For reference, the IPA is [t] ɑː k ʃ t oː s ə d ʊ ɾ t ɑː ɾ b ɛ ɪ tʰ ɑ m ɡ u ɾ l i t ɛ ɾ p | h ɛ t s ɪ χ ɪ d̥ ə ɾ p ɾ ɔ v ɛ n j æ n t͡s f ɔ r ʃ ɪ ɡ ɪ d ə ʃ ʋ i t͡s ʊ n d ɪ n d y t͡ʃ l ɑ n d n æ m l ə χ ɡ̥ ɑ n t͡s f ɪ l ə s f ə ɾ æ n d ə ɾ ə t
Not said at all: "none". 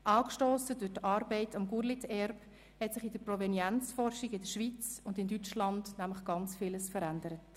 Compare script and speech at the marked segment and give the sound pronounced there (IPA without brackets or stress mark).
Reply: ʔ